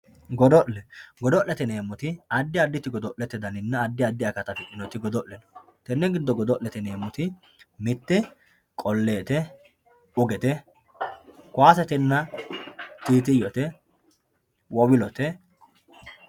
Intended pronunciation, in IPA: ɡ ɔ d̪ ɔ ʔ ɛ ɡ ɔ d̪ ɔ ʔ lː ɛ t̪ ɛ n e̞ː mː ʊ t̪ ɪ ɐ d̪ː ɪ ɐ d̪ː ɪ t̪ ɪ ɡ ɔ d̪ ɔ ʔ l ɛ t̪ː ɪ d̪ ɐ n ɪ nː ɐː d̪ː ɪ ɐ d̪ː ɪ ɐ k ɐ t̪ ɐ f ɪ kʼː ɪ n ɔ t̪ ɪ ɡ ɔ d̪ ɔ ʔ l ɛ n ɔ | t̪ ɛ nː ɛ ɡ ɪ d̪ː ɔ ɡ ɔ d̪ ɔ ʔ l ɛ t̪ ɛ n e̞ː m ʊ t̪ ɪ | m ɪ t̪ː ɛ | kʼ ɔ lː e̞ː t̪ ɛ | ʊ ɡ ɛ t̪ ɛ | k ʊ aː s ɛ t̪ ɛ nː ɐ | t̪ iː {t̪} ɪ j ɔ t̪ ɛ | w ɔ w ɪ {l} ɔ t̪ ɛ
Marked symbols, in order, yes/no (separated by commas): yes, yes